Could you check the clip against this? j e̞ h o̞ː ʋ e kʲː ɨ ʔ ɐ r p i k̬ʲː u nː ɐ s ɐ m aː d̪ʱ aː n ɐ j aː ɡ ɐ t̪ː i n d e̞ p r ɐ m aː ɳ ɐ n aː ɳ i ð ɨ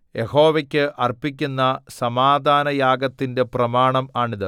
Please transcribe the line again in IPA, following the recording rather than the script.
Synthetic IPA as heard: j e̞ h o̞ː ʋ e kʲː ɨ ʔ ɐ r p i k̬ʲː u nː ɐ s ɐ m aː d̪ʱ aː n ɐ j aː ɡ ɐ t̪ː i n d e̞ p r ɐ m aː ɳ ɐ m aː ɳ i ð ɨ